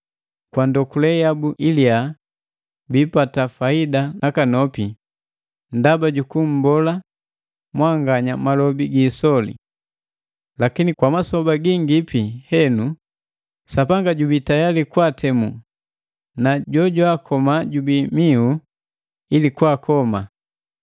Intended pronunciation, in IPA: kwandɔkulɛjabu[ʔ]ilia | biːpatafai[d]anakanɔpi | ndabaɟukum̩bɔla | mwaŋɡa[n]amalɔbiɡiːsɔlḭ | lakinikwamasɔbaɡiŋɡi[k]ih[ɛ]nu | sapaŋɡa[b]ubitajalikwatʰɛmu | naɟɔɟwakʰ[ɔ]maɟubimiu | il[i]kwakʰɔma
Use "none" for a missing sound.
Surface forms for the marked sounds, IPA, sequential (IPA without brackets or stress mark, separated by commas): ʔ, d, ɲ, p, ɛ, ɟ, ɔ, i